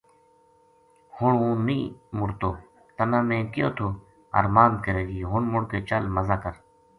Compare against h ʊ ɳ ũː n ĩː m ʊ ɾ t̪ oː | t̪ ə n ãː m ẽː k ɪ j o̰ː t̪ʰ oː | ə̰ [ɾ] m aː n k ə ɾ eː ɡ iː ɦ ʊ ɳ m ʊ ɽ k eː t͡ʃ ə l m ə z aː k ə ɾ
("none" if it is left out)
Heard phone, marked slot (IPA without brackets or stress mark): ɾ